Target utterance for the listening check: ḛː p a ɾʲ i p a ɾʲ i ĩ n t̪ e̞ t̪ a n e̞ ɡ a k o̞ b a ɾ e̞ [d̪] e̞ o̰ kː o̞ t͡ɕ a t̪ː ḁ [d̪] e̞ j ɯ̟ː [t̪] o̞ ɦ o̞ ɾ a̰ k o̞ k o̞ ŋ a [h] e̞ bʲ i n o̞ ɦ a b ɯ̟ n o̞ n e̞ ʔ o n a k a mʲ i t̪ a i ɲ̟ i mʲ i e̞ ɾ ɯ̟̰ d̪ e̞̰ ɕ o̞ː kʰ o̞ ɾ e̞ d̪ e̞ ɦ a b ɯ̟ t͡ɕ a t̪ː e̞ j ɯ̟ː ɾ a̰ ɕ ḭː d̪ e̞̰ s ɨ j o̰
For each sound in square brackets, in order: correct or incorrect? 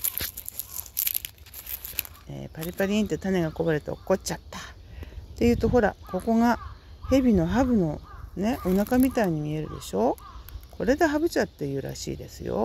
incorrect: t̪, incorrect: t̪, correct, correct

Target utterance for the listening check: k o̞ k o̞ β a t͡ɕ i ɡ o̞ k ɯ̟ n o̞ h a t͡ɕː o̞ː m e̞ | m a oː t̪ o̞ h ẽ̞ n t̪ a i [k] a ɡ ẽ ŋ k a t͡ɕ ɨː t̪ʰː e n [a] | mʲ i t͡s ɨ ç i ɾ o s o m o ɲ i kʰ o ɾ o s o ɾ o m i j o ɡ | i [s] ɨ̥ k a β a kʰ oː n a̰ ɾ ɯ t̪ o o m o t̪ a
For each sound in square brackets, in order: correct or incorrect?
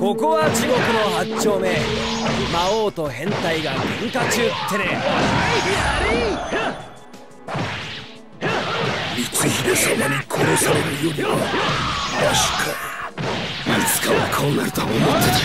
incorrect: ɡ, incorrect: e, incorrect: t͡s

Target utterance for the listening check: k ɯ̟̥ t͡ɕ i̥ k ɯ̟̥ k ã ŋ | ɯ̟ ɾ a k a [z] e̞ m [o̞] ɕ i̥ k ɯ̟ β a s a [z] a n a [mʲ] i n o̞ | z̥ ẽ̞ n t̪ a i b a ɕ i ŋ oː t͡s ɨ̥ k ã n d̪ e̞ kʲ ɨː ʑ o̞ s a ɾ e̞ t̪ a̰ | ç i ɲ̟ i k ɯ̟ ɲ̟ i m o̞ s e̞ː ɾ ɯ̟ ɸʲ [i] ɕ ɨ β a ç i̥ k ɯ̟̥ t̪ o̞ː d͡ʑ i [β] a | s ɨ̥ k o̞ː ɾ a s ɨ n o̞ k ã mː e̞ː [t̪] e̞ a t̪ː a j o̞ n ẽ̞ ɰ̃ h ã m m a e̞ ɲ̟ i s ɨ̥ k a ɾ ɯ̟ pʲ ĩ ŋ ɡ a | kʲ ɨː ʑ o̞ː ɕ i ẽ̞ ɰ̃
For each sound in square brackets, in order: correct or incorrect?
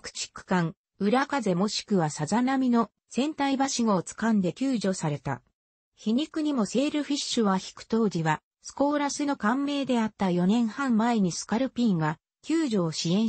correct, correct, correct, correct, correct, correct, incorrect: d̪

